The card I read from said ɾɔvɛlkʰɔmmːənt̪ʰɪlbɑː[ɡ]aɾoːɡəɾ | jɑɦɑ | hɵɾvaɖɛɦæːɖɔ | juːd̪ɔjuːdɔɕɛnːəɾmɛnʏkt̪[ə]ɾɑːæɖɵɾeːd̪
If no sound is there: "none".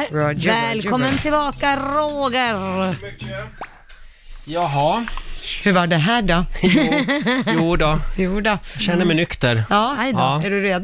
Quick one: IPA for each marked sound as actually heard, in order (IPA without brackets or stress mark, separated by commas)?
k, ə